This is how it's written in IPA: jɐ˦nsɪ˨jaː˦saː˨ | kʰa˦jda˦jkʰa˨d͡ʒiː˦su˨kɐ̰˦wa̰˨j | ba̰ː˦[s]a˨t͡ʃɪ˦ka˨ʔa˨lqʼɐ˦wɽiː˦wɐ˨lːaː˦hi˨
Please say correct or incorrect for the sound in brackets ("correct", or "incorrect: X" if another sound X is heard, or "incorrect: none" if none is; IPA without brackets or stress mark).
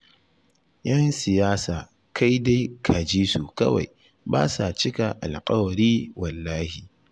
correct